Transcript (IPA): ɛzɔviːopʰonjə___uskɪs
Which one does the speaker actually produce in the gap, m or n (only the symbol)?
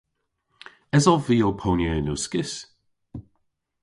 n